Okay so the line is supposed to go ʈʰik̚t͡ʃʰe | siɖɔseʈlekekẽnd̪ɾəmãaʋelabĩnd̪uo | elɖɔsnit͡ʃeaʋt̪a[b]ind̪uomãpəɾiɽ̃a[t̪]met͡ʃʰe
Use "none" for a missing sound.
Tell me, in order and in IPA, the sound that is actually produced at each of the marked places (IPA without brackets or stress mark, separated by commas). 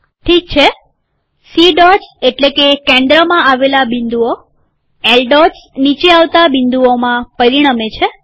b, none